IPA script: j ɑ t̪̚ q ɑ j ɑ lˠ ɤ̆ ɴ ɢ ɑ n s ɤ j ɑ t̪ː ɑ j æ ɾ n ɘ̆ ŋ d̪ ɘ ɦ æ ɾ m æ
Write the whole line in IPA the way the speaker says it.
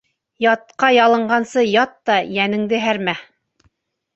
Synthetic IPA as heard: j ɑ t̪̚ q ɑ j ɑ lˠ ɤ̆ ɴ ɢ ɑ n s ɤ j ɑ t̪ː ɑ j æ n ɘ̆ ŋ d̪ ɘ ɦ æ ɾ m æ

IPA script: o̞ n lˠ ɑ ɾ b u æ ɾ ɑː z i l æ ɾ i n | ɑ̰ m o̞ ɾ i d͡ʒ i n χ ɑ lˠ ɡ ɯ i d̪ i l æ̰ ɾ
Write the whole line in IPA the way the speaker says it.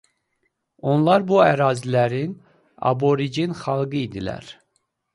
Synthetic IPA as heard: o̞ n lˠ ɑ ɾ b u æ ɾ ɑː z i l æ ɾ i n | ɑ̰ b o̞ ɾ i d͡ʒ i n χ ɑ lˠ ɡ ɯ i d̪ i l æ̰ ɾ

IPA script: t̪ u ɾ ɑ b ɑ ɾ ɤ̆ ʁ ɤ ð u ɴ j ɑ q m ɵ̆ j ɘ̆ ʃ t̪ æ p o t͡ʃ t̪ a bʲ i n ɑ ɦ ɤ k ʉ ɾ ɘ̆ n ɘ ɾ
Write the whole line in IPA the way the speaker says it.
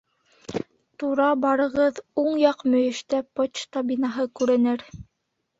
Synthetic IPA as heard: t̪ u ɾ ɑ b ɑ ɾ ɤ̆ ʁ ɤ ð u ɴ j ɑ q m ɵ̆ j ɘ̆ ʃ t̪ æ p o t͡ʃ t̪ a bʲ i n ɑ ɦ ɤ k ʉ ɾ ɘ̆ n ɘ ɾ

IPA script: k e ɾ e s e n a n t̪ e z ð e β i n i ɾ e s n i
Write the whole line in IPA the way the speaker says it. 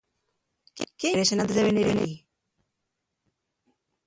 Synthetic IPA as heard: k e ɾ e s e n a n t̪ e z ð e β e n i ɾ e n i

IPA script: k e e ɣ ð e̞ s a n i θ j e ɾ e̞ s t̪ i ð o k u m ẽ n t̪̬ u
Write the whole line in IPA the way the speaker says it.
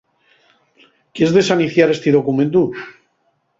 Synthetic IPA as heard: k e e z ð e̞ s a n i θ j a ɾ e̞ s t̪ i ð o k u m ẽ n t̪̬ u

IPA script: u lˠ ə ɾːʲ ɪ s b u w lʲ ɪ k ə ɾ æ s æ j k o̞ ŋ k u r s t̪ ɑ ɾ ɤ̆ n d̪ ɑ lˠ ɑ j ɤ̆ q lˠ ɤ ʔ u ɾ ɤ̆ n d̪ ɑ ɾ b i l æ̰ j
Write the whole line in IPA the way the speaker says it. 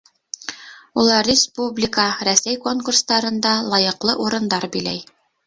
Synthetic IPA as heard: u lˠ ɑ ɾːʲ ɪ s p u b lʲ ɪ k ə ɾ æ s æ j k o̞ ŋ k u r s t̪ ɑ ɾ ɤ̆ n d̪ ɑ lˠ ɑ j ɤ̆ q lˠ ɤ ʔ u ɾ ɤ̆ n d̪ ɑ ɾ b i l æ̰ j

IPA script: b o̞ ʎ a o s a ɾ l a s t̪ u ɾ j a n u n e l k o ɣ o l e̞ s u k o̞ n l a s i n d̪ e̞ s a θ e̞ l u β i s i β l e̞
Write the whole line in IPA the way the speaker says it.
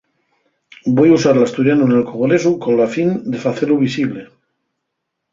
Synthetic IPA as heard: b o̞ j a u s a ɾ l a s t̪ u ɾ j a n u n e l k o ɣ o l e̞ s u k o̞ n l a f i n d̪ e̞ f a θ e̞ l u β i s i β l e̞

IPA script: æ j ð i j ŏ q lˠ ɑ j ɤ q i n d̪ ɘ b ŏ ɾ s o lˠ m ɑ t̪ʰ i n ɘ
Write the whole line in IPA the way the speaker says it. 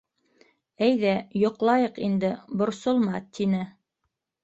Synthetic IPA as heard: æ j ð æ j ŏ q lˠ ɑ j ɤ q i n d̪ ɘ b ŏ ɾ s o lˠ m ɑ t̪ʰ i n ɘ

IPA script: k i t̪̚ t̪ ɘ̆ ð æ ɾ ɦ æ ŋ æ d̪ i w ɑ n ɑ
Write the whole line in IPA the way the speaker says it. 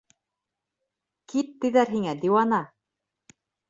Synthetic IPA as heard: k i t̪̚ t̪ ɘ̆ ð æ ɾ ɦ i ŋ æ d̪ i w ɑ n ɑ

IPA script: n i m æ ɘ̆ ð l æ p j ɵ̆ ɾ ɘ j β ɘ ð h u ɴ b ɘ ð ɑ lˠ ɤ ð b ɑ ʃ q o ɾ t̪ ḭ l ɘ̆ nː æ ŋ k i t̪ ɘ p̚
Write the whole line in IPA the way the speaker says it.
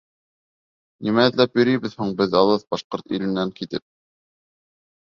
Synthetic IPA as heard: n i m æ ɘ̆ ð l æ p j ɵ̆ ɾ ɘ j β ɘ ð h u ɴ b ɘ ð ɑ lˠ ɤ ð b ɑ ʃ q o ɾ t̪ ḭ l ɘ̆ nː æ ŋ k i t̪ ɘ p̚

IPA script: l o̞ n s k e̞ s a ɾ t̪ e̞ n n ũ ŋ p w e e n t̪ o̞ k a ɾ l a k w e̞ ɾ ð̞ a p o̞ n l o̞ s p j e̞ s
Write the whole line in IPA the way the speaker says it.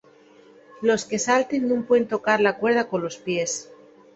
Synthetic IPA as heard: l o̞ s k e̞ s a l t̪ e̞ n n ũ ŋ p w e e n t̪ o̞ k a ɾ l a k w e̞ ɾ ð̞ a k o̞ n l o̞ s p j e̞ s

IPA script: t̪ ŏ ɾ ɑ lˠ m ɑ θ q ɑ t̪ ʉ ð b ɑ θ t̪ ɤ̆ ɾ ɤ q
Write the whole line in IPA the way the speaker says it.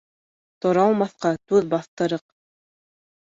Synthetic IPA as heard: t̪ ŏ ɾ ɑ lˠ m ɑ θ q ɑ t̪ ʉ ð b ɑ θ t̪ ɤ̆ ɾ ɤ q

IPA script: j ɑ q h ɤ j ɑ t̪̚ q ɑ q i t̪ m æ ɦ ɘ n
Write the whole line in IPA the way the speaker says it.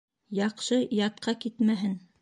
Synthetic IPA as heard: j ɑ q ʃ ɤ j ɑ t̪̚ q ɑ k i t̪ m æ ɦ ɘ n

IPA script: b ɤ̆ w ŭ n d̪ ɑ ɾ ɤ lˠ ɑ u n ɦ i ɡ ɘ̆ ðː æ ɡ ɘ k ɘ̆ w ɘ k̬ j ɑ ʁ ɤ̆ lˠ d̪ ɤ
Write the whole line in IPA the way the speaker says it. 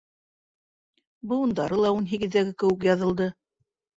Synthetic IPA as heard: b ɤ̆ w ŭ n d̪ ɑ ɾ ɤ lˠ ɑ u n ɦ i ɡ ɘ̆ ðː æ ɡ ɘ k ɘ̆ w ɘ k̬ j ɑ ð ɤ̆ lˠ d̪ ɤ

